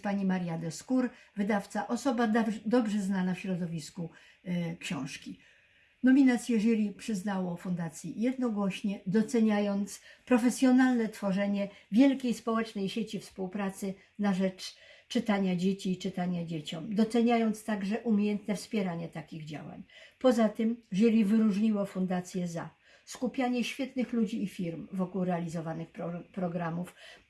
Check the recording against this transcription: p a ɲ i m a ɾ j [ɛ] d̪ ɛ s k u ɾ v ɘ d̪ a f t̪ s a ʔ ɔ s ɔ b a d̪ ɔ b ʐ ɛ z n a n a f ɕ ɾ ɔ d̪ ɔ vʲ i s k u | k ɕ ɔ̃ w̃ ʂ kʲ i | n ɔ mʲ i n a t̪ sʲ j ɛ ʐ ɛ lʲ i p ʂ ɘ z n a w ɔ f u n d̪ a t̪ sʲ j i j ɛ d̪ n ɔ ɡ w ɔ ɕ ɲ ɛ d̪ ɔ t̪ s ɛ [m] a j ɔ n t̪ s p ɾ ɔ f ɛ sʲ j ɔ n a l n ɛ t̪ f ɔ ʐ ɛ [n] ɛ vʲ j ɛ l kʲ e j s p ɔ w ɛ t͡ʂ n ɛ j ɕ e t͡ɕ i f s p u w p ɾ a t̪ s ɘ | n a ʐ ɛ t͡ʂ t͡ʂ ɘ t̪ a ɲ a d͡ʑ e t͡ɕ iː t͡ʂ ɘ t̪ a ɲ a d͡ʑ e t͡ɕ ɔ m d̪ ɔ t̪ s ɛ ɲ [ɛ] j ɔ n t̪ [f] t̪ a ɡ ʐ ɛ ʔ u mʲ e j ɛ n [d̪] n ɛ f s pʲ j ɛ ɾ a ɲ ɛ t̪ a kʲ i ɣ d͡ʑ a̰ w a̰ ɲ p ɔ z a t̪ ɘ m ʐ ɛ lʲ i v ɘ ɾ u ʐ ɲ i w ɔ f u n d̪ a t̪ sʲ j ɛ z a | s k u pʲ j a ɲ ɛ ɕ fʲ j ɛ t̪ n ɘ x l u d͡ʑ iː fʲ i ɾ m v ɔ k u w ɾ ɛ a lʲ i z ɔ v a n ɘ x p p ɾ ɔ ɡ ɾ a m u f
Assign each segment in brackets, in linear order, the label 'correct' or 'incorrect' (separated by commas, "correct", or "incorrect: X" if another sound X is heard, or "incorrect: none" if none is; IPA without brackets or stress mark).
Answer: incorrect: a, incorrect: ɲ, incorrect: ɲ, incorrect: a, incorrect: s, incorrect: t̪